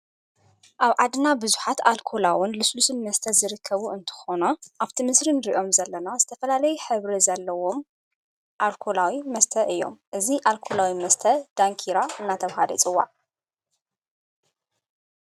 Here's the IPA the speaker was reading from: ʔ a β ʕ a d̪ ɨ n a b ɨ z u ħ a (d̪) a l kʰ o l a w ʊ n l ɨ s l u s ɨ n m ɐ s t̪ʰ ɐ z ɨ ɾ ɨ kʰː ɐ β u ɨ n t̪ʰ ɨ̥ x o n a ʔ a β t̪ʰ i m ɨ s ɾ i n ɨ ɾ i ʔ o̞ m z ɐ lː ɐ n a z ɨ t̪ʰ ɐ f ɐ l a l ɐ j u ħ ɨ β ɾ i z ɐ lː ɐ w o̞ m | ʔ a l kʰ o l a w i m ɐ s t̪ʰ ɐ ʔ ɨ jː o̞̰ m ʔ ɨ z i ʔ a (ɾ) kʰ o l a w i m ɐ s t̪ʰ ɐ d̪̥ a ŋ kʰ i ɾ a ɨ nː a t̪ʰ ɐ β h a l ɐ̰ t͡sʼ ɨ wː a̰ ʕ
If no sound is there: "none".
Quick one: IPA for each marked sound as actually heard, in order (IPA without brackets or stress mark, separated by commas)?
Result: t̪, l